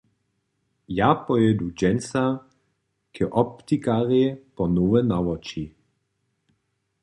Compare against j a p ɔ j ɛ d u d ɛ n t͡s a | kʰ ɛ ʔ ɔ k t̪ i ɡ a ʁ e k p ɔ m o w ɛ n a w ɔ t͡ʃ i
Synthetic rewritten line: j a p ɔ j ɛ d u d͡ʒ ɛ n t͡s a | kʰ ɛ ʔ ɔ p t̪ i k a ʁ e p ɔ n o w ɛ n a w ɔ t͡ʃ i